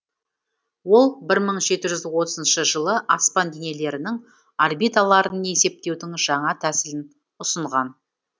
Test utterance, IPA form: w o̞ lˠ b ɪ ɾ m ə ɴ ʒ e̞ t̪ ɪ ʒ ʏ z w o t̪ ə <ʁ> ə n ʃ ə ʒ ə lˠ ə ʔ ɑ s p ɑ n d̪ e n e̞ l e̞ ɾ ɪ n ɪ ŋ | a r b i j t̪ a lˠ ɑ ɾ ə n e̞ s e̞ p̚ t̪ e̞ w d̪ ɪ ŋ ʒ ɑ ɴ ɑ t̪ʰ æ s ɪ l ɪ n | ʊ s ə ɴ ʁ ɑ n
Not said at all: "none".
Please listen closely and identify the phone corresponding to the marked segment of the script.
z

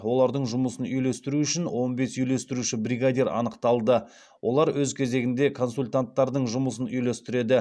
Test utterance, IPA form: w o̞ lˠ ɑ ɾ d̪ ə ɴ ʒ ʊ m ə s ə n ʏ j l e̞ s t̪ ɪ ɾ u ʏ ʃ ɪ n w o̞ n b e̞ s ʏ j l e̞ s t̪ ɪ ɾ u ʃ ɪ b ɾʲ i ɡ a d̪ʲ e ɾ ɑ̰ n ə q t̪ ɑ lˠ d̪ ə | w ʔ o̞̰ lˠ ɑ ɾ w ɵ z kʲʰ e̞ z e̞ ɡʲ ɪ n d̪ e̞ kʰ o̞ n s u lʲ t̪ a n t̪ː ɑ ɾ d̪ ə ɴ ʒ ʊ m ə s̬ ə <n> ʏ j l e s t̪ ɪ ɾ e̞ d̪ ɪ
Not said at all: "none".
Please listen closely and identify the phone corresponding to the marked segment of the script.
n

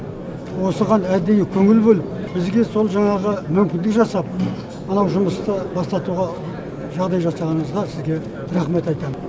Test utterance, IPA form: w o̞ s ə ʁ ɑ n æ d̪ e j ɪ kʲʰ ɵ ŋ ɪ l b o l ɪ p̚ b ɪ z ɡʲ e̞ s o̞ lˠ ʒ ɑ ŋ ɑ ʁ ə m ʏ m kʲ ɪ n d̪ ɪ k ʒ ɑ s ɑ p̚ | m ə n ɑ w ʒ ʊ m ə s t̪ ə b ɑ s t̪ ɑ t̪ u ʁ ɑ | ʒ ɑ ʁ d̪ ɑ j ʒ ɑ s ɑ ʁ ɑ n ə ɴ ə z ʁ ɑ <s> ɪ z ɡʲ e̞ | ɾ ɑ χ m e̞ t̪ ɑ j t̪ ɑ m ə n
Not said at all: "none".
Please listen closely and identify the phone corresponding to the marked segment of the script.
s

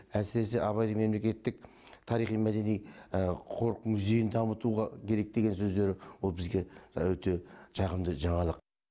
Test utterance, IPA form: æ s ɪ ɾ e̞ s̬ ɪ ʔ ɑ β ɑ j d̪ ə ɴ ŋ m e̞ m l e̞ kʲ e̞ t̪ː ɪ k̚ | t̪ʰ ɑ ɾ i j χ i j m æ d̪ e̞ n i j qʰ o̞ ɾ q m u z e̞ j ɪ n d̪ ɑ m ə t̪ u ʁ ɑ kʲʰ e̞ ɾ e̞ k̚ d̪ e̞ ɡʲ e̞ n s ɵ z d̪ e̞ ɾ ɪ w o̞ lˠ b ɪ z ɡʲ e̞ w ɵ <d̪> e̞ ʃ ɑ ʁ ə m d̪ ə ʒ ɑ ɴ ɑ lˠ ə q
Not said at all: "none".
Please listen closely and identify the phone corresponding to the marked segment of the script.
t̪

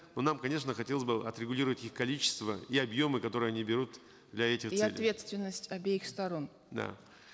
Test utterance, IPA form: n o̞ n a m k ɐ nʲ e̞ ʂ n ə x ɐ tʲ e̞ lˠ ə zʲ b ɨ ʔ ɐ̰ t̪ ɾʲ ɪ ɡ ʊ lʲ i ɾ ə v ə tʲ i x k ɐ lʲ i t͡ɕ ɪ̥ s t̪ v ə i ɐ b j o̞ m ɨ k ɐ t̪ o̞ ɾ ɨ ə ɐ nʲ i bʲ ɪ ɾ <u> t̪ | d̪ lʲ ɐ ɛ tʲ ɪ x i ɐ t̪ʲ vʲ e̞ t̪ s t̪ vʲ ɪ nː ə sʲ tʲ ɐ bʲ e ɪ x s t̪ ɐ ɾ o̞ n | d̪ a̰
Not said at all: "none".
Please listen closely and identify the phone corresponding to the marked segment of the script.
u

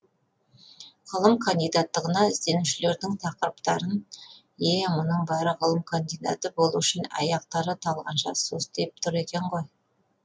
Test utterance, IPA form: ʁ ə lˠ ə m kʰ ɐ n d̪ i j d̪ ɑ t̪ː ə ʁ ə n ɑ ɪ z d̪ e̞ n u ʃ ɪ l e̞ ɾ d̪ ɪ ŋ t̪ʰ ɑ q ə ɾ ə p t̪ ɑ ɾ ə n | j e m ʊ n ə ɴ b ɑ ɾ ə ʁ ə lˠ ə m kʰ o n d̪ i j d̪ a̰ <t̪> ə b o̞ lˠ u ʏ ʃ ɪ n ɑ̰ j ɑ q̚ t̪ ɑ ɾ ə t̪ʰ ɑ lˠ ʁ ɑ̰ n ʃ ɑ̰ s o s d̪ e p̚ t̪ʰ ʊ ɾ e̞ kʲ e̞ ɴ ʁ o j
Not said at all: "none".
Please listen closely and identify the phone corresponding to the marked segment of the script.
t̪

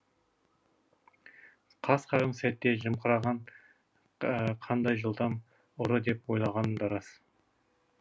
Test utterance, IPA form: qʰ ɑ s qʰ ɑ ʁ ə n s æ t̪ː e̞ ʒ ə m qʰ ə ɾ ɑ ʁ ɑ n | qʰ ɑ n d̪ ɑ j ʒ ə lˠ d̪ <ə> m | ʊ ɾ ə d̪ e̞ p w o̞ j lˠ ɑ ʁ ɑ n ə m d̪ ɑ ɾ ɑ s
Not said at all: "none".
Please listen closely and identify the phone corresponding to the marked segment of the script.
ɑ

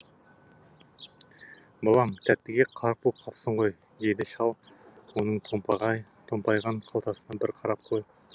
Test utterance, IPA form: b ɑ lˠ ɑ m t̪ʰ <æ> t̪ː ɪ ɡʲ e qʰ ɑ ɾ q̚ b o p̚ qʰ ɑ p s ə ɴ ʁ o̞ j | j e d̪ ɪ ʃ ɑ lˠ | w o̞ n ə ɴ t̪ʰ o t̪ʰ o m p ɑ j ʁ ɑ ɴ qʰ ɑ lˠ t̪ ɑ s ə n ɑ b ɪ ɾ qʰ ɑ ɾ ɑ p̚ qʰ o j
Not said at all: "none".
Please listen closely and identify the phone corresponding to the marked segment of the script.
æ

